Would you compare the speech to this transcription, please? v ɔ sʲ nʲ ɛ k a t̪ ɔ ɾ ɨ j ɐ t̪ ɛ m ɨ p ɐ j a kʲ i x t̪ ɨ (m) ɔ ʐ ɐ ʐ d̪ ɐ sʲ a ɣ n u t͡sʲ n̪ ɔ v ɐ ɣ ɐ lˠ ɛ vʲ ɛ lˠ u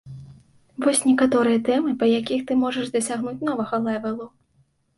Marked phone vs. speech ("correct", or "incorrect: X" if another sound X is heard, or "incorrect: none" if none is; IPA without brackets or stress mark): correct